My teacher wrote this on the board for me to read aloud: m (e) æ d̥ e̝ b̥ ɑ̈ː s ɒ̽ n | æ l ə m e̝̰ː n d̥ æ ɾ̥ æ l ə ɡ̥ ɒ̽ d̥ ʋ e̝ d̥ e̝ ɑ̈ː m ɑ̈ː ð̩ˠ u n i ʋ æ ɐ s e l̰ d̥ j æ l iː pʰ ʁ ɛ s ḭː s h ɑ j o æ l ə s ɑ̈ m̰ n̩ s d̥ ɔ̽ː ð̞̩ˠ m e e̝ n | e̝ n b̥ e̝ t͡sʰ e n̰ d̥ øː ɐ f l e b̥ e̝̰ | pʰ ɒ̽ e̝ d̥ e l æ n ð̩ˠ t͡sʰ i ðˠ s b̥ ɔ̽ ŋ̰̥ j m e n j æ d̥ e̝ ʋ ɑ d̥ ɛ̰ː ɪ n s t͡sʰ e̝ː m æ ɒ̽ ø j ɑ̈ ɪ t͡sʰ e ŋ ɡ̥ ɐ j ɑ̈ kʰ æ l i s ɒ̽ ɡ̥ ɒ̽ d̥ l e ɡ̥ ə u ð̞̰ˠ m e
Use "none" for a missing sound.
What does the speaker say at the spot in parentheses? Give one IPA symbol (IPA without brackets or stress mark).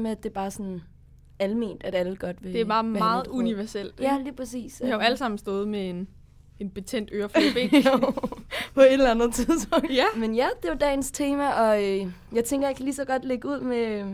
e